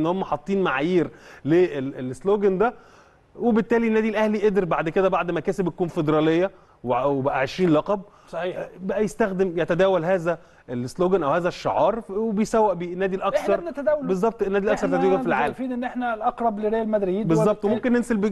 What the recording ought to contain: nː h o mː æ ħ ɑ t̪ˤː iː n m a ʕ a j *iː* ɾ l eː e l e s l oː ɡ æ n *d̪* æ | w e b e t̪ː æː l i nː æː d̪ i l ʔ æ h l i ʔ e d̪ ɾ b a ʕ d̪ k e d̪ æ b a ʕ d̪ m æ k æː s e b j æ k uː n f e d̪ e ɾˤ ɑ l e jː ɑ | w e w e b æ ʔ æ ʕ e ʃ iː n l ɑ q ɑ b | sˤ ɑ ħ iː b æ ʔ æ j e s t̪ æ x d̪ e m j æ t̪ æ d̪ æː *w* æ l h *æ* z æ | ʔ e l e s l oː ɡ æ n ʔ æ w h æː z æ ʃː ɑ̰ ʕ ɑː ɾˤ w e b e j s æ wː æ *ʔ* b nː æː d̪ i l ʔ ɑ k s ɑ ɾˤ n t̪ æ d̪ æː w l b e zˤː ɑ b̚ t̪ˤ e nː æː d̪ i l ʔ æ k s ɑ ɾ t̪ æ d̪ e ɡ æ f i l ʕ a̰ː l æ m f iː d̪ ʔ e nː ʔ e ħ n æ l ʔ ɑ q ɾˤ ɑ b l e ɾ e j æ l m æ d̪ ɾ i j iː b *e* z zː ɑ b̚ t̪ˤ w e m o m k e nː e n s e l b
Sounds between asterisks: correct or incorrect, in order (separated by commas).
correct, correct, correct, incorrect, correct, correct